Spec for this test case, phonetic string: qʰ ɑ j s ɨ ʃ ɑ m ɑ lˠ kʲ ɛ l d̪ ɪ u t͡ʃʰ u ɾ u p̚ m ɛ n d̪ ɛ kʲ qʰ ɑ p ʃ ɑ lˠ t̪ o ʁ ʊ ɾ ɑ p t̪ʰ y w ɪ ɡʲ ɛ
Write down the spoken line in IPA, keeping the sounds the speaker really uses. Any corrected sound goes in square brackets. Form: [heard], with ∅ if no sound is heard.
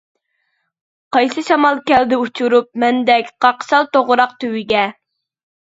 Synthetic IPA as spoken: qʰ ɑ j s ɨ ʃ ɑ m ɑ lˠ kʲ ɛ l d̪ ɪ u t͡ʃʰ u ɾ u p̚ m ɛ n d̪ ɛ kʲ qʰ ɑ [q] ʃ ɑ lˠ t̪ o ʁ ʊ ɾ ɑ [q] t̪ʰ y w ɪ ɡʲ ɛ